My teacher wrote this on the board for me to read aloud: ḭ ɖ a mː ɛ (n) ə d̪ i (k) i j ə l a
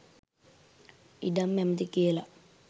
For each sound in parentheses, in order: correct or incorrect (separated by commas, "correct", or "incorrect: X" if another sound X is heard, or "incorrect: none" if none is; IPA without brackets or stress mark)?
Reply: incorrect: m, correct